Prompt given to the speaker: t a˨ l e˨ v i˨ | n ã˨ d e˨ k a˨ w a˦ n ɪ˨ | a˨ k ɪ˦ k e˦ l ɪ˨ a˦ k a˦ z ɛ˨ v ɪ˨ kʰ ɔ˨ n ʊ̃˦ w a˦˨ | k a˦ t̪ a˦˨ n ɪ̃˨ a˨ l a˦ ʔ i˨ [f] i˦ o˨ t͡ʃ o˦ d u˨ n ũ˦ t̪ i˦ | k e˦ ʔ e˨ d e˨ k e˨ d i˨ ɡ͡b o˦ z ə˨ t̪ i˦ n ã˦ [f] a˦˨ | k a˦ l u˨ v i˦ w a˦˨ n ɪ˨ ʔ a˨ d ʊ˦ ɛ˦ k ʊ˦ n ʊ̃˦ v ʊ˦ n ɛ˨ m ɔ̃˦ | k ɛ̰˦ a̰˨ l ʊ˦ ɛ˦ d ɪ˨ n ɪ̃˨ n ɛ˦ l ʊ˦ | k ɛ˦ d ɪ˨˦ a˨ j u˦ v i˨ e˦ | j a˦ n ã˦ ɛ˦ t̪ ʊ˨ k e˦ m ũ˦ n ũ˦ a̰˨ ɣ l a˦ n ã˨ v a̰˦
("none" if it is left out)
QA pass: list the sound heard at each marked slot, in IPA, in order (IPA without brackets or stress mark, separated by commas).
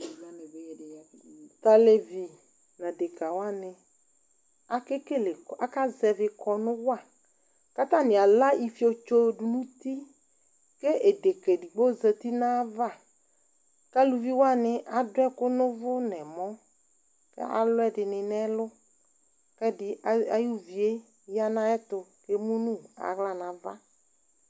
f, v